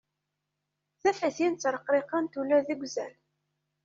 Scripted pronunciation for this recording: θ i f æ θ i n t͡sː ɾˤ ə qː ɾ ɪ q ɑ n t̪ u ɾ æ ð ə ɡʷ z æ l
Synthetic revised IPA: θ æ f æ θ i n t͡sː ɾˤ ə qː ɾ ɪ q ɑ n t̪ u l æ ð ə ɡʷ z æ l

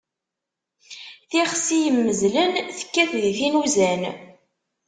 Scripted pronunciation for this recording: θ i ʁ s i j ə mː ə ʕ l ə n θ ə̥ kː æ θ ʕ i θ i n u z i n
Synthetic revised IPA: θ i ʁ s i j ə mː ə z l ə n θ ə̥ kː æ θ ð i θ i n u z æ n

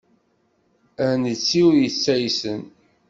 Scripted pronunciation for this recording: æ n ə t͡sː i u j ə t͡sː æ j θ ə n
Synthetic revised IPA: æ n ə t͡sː i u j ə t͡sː æ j s ə n

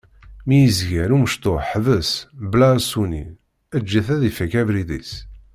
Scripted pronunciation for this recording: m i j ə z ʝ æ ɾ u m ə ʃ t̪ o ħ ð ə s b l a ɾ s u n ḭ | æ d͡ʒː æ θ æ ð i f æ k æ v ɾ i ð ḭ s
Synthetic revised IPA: m i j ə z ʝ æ ɾ u m ə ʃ t̪ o ħ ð ə s b l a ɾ s u n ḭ | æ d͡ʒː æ θ æ ð i f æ k æ v ɾ i ð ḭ s

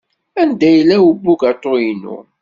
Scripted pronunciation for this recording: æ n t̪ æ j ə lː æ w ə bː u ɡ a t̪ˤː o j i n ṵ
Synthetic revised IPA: æ n d̪ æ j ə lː æ w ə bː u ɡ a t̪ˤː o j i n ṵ

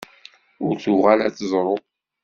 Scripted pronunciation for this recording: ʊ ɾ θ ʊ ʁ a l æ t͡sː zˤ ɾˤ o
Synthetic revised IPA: ʊ ɾ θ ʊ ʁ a l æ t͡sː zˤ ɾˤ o

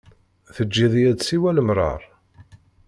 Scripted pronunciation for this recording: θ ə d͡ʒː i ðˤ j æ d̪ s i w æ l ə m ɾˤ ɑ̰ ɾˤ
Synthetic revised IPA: θ ə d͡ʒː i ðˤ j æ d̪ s i w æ l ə m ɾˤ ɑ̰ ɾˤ

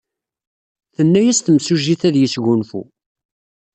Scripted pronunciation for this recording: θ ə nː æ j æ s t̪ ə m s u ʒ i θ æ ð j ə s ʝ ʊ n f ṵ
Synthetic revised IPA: θ ə nː æ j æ s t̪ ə m s u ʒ i θ æ ð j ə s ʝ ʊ n f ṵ

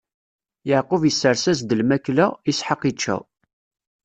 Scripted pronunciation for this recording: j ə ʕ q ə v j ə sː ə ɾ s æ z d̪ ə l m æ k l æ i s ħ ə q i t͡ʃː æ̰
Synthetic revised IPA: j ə ʕ q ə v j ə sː ə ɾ s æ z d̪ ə l m æ k l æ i s ħ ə q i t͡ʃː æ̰

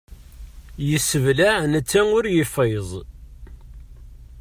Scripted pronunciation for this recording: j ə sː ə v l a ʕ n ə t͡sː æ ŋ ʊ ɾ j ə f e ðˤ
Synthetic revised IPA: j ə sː ə v l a ʕ n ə t͡sː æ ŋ ʊ ɾ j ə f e zˤ

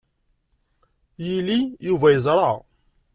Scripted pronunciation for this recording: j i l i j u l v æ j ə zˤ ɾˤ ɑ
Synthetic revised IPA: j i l i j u v æ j ə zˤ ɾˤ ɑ

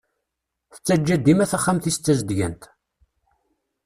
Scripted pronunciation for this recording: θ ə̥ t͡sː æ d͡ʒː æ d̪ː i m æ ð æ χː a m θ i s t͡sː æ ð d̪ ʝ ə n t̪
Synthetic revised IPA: θ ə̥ t͡sː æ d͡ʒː æ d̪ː i m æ θ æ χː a m θ i s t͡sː æ z d̪ ʝ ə n t̪

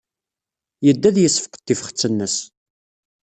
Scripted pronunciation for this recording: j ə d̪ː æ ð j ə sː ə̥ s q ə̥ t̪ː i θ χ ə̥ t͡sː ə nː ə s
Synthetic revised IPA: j ə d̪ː æ ð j ə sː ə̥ f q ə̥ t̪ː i f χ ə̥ t͡sː ə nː ə s

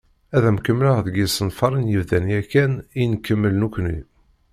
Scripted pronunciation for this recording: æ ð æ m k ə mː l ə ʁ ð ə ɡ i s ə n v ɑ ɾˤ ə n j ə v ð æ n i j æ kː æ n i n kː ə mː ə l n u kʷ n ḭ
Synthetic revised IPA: æ ð æ m k ə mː l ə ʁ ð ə ɡ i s ə n f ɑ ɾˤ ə n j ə v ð æ n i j æ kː æ n i n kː ə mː ə l n u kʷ n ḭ

